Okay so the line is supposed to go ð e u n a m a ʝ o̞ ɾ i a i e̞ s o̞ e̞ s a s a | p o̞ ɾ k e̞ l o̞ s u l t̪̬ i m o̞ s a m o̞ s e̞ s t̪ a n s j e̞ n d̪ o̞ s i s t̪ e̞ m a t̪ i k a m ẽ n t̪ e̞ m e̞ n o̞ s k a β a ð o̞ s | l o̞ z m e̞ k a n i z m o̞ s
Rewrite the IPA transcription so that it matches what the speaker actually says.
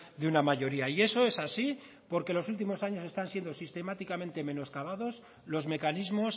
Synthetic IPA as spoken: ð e u n a m a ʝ o̞ ɾ i a i e̞ s o̞ e̞ s a s i | p o̞ ɾ k e̞ l o̞ s u l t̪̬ i m o̞ s a ɲ o̞ s e̞ s t̪ a n s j e̞ n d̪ o̞ s i s t̪ e̞ m a t̪ i k a m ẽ n t̪ e̞ m e̞ n o̞ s k a β a ð o̞ s | l o̞ z m e̞ k a n i z m o̞ s